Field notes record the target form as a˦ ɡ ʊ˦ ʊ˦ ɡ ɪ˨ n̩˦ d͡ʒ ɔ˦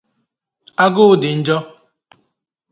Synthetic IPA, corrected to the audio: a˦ ɡ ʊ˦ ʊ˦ d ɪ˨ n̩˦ d͡ʒ ɔ˦